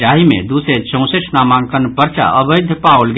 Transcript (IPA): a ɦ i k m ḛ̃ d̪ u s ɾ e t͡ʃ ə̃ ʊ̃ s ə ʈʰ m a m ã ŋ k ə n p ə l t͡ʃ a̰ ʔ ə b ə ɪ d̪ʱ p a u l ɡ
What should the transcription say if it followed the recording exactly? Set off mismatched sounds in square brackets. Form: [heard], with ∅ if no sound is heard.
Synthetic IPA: a ɦ i [∅] m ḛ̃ d̪ u s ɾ e t͡ʃ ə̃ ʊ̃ s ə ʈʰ [n] a m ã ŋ k ə n p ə [ɾ] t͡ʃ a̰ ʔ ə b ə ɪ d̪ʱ p a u l ɡ

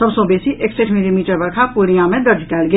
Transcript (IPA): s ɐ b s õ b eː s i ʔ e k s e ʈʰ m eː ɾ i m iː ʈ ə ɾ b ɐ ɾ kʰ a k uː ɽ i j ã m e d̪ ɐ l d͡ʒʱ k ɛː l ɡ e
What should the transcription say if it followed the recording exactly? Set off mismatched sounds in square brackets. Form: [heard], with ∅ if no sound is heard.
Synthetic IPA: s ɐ b s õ b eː s i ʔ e k s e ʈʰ m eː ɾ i m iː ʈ ə ɾ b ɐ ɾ kʰ a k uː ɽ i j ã m [ẽ] d̪ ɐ [ɾ] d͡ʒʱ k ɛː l ɡ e

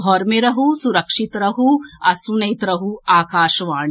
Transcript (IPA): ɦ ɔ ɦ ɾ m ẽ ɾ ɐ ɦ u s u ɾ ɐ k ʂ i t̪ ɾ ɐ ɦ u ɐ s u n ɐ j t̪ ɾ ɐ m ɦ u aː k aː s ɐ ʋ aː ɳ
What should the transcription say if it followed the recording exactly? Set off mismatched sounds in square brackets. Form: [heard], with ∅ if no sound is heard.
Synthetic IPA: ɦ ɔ [∅] ɾ m [e] ɾ ɐ ɦ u s u ɾ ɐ k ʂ i t̪ ɾ ɐ ɦ u ɐ s u n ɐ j t̪ ɾ ɐ [∅] ɦ u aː k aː [ʃ] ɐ ʋ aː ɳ

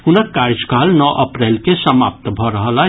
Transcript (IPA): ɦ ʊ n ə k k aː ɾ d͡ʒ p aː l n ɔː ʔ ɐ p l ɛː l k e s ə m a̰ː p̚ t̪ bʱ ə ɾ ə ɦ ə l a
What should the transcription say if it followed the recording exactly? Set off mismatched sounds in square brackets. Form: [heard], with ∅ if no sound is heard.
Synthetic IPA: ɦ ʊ n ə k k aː ɾ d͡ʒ [k] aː l n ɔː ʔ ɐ p [ɾ] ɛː l k e s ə m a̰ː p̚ t̪ bʱ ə ɾ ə ɦ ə l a

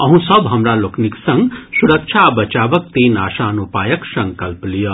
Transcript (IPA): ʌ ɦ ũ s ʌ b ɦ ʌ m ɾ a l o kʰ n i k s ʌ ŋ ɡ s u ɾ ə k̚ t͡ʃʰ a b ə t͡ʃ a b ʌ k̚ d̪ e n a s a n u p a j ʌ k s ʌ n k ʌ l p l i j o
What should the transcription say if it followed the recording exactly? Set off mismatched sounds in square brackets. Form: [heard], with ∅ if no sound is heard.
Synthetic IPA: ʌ ɦ ũ s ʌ b ɦ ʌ m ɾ a l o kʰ n i k s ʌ ŋ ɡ s u ɾ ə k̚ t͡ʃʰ a b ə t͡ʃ a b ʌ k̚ [t̪] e n a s a n u p a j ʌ k s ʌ [ŋ] k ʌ l p l i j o

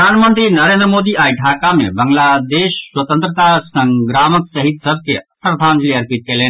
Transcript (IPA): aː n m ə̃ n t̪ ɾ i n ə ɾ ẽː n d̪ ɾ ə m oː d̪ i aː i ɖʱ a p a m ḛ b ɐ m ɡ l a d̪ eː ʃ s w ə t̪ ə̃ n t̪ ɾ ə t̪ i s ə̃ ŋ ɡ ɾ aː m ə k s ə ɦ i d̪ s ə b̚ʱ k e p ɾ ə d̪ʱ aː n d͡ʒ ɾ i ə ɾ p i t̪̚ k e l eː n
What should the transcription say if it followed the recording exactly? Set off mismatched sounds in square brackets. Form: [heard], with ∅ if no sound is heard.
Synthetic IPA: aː n m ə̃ n t̪ ɾ i n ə ɾ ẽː n d̪ ɾ ə m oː d̪ i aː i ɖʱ a [k] a m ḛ b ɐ [ŋ] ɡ l a d̪ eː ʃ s w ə t̪ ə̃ n t̪ ɾ ə t̪ [a] s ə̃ ŋ ɡ ɾ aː m ə k s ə ɦ i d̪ s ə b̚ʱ k e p ɾ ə d̪ʱ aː n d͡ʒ [l] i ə ɾ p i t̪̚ k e l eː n

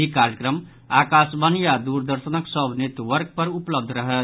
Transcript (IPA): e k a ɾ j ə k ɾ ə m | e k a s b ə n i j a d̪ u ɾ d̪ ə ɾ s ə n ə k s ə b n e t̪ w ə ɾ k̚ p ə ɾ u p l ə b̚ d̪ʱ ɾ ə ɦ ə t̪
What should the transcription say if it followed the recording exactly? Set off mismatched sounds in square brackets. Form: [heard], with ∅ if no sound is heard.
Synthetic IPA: [i] k a ɾ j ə k ɾ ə m | [a] k a s b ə n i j a d̪ u ɾ d̪ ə ɾ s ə n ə k s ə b n e t̪ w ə ɾ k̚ p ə ɾ u p l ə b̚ d̪ʱ ɾ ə ɦ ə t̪

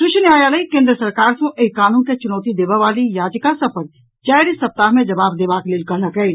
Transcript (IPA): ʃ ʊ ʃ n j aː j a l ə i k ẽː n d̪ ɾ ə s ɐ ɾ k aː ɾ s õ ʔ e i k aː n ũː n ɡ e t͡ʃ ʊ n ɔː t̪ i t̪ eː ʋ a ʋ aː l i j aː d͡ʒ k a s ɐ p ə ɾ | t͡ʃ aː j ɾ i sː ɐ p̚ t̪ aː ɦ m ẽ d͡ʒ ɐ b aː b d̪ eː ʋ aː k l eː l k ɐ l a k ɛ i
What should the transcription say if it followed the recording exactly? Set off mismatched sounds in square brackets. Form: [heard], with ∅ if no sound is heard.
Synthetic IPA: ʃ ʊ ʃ n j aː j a l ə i k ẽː n d̪ ɾ ə s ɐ ɾ k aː ɾ s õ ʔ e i k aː n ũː n [k] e t͡ʃ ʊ n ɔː t̪ i [d̪] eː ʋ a ʋ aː l i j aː d͡ʒ k a s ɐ p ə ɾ | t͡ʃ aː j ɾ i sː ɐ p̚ t̪ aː ɦ m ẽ d͡ʒ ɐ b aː b d̪ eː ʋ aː k l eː l k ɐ l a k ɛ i

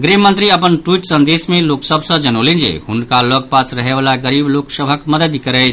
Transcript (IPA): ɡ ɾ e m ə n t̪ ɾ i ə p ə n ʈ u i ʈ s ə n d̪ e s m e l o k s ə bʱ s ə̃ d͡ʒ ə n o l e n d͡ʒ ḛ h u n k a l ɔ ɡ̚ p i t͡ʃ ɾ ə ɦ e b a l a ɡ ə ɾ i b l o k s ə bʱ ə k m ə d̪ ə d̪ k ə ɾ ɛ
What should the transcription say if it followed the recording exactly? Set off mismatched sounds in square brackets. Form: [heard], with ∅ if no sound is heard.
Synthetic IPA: ɡ ɾ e m ə n t̪ ɾ i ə p ə n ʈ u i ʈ s ə n d̪ e s m e l o k s ə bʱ s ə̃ d͡ʒ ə n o l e n d͡ʒ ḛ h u n k a l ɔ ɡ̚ p [a] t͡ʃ ɾ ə ɦ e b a l a ɡ ə ɾ i b l o k s ə bʱ ə k m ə d̪ ə d̪ k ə ɾ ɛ

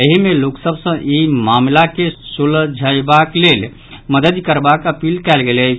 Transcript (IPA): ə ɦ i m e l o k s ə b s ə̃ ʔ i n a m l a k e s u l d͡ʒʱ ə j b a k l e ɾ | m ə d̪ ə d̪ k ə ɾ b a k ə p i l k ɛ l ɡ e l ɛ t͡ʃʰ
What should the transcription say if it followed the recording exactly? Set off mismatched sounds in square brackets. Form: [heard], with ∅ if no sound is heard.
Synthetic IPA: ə ɦ i m e l o k s ə b s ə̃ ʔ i [m] a m l a k e s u l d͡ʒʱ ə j b a k l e [l] | m ə d̪ ə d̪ k ə ɾ b a k ə p i l k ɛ l ɡ e l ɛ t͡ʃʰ

